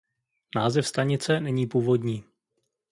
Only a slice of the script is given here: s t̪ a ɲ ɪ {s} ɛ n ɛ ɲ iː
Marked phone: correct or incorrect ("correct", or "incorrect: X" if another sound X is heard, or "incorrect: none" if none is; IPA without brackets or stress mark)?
incorrect: t͡s